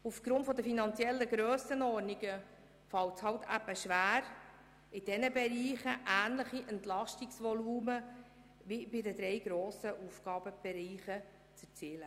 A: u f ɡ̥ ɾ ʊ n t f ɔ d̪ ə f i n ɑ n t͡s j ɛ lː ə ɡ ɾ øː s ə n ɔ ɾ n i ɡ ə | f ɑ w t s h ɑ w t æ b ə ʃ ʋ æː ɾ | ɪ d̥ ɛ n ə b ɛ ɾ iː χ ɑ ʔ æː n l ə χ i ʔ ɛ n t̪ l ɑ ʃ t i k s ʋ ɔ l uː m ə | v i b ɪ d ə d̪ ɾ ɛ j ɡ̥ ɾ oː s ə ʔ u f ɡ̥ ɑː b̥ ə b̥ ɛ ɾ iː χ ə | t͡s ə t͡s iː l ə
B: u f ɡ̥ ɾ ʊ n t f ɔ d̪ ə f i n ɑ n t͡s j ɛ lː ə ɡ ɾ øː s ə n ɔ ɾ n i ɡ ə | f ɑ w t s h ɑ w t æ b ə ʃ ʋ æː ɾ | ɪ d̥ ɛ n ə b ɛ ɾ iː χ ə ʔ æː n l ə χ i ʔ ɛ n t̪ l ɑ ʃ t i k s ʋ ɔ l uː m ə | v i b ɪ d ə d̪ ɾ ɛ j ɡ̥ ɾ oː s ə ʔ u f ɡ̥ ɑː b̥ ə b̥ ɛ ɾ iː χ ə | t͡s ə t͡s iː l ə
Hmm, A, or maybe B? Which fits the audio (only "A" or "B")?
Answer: B